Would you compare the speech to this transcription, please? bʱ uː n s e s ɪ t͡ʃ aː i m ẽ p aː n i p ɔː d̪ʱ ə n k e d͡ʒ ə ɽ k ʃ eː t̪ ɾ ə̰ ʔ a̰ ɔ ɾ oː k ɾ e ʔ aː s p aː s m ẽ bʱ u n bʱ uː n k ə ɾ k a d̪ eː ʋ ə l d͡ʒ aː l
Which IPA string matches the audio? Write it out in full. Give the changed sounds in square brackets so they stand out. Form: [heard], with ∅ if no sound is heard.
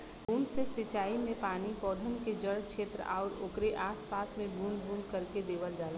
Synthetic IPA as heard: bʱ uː n s e s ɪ t͡ʃ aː i m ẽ p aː n i p ɔː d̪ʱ ə n k e d͡ʒ ə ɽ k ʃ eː t̪ ɾ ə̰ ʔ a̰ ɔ ɾ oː k ɾ e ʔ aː s p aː s m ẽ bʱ u n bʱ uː n k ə ɾ k [e] d̪ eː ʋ ə l d͡ʒ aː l